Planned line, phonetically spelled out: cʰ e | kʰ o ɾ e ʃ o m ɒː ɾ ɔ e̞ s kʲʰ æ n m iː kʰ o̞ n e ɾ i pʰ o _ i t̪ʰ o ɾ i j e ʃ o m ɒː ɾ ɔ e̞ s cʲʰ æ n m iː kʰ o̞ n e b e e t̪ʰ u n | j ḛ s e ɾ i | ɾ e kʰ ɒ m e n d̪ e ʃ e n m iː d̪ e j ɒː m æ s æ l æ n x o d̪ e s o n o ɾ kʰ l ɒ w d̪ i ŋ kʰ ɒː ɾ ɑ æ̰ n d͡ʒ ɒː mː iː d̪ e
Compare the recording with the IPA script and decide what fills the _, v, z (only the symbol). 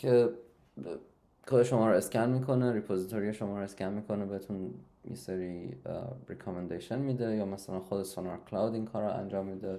z